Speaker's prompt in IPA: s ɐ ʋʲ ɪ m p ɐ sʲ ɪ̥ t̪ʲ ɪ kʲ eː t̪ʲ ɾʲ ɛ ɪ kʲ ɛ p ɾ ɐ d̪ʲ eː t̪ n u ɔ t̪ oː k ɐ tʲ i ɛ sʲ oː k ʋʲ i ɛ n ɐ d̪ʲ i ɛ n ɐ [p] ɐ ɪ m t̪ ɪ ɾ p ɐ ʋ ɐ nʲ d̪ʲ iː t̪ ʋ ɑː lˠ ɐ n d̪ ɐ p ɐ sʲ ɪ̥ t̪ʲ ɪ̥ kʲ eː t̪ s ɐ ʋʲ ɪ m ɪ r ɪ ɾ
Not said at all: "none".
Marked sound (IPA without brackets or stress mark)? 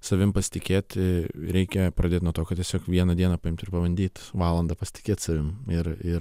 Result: p